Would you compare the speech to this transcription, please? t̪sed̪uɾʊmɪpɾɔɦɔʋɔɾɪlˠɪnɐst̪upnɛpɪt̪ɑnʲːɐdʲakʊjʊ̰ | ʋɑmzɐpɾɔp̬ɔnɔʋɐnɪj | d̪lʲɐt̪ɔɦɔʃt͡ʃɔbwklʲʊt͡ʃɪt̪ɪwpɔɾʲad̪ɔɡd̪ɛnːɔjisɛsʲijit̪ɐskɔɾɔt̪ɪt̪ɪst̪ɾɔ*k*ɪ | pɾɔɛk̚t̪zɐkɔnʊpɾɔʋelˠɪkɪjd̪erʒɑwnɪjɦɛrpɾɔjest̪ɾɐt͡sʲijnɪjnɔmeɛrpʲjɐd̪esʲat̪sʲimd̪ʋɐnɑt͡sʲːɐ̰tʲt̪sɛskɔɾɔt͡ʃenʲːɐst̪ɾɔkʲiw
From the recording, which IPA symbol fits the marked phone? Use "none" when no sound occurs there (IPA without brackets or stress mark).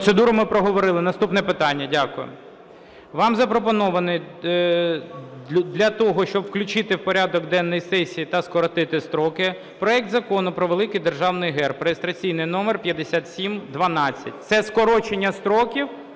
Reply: k